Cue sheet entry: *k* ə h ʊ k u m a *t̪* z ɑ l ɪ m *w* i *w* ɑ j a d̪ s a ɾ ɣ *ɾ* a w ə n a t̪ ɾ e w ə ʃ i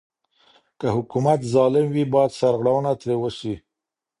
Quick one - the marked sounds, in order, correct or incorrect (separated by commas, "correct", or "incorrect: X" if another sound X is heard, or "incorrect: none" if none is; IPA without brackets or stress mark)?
correct, correct, correct, incorrect: b, incorrect: ɽ